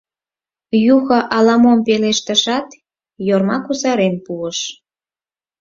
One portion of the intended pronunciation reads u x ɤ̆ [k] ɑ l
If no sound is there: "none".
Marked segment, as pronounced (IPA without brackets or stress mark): ʔ